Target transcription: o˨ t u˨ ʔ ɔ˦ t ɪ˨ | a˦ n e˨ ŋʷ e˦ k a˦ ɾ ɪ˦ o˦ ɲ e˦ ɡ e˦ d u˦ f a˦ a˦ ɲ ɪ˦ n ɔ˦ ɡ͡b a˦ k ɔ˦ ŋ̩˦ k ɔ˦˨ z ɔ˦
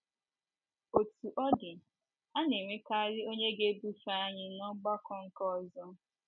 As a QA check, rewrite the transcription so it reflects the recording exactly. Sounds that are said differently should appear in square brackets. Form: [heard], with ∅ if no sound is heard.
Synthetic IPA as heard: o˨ t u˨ ʔ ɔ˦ [d] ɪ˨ | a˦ n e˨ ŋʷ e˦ k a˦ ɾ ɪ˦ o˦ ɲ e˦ ɡ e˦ [b] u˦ f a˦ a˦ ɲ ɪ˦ n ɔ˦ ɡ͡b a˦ k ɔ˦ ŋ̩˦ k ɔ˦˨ z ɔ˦